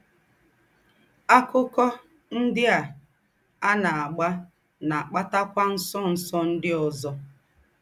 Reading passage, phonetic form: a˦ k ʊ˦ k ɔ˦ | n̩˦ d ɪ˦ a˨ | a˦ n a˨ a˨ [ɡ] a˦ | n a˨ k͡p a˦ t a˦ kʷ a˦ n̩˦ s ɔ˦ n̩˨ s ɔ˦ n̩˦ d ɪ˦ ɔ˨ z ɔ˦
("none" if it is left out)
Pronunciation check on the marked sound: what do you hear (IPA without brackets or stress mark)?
ɡ͡b